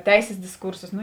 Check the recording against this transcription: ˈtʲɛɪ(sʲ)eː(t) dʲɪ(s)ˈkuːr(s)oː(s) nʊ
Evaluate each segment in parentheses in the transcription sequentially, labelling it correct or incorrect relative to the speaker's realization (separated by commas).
correct, incorrect, correct, correct, correct